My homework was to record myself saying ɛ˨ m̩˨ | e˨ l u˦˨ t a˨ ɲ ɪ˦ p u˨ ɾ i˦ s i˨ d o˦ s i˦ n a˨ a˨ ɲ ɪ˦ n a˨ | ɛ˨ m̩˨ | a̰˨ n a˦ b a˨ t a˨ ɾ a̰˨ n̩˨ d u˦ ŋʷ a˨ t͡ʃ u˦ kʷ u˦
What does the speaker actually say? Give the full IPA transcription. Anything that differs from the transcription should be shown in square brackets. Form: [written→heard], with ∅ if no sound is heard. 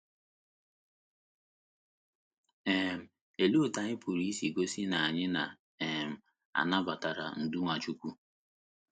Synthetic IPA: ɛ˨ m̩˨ | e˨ l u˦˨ t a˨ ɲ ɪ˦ p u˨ ɾ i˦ s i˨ [d→ɡ] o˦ s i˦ n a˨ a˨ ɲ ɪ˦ n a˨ | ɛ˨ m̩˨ | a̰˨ n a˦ b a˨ t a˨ ɾ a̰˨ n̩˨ d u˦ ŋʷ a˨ t͡ʃ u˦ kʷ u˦